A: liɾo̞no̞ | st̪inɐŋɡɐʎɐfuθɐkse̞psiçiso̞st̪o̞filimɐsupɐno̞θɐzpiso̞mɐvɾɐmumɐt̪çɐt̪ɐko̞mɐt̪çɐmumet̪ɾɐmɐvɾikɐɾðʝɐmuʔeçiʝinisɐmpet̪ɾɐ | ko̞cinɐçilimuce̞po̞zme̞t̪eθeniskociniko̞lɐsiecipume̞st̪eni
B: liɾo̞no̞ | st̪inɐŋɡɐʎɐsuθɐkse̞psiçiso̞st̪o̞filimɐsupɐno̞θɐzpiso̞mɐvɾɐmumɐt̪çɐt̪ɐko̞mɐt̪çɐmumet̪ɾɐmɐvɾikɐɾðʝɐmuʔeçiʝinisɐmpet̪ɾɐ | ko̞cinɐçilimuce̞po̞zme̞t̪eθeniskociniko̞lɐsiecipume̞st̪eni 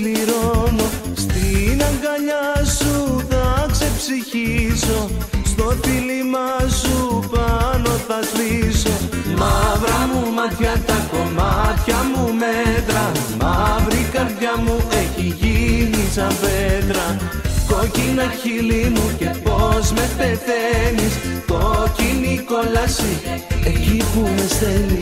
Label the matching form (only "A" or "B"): B